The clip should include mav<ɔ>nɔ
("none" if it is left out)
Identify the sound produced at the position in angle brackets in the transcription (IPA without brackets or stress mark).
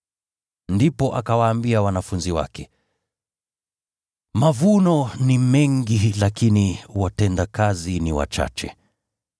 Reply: u